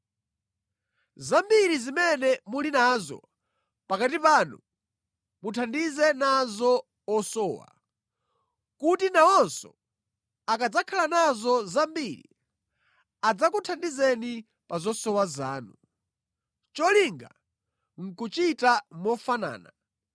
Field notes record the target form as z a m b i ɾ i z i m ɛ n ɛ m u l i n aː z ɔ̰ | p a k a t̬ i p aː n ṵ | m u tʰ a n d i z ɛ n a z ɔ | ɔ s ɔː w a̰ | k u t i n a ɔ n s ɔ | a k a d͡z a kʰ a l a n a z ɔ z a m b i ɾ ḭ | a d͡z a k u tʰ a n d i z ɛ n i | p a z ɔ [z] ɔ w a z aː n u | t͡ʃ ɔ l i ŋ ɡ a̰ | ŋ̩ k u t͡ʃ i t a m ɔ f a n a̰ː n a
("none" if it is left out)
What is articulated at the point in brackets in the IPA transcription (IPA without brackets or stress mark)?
s